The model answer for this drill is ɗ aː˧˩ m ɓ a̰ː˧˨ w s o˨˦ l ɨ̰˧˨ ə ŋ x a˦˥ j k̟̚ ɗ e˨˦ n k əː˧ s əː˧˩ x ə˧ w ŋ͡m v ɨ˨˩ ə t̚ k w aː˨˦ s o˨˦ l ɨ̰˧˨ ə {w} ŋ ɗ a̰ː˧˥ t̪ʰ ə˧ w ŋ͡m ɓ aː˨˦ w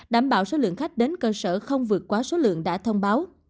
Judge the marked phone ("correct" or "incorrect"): incorrect